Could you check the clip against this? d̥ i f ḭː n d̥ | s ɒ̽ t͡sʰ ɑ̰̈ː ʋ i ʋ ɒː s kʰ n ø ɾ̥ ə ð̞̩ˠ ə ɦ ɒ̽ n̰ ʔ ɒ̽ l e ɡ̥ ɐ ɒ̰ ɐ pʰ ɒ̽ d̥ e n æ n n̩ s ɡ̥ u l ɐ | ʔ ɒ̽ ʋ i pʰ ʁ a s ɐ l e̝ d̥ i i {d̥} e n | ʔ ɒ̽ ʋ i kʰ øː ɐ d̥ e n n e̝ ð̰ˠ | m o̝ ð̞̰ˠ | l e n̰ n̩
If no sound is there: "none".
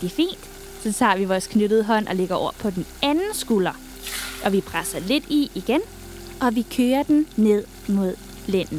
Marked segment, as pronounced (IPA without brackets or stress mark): ɡ̥